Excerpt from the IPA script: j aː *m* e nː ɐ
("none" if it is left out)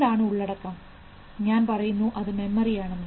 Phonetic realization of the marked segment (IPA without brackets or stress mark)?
ɳ